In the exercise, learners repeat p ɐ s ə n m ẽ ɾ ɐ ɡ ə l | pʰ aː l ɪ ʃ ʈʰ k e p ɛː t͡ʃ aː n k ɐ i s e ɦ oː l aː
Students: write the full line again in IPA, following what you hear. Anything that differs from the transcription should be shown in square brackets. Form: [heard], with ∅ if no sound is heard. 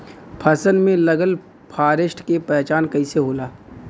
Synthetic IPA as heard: [pʰ] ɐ s ə n m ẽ [l] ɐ ɡ ə l | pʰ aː [ɾ] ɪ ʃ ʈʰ k e p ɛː t͡ʃ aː n k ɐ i s e ɦ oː l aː